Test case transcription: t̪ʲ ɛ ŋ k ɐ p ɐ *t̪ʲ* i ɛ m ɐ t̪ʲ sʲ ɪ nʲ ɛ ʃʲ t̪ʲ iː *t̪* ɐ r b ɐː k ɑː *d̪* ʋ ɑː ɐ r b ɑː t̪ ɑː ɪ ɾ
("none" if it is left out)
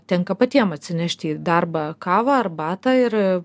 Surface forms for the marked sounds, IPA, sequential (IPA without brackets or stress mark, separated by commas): t̪ʲ, d̪, none